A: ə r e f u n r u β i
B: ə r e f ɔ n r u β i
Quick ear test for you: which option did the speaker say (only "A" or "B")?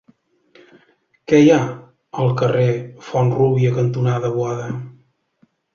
B